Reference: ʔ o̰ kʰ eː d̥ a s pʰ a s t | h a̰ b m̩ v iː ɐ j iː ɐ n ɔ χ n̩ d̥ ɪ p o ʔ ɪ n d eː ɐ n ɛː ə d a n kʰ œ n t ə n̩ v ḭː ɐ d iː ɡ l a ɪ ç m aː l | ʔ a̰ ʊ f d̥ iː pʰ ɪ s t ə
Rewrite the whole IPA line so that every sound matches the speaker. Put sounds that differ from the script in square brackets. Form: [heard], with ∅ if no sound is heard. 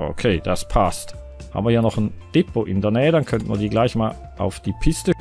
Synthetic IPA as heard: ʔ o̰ kʰ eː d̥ a s pʰ a s t | h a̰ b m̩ v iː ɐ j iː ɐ n ɔ χ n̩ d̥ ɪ p o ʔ ɪ n d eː ɐ n ɛː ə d a n kʰ œ n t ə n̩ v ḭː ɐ d iː ɡ l a ɪ ç m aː l | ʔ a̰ ʊ f d̥ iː pʰ ɪ s t ə